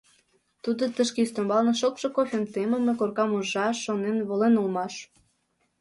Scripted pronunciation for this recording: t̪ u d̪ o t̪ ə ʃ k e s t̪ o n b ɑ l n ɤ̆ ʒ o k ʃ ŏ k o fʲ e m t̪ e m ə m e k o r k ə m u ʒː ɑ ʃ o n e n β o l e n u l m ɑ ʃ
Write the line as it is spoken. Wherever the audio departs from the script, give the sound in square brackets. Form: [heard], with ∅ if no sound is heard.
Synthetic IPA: t̪ u d̪ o t̪ ə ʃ k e s t̪ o [m] b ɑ l n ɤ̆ [ʃ] o k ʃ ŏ k o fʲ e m t̪ e m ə m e k o r k [ɑ] m u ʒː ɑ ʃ o n e n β o l e n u l m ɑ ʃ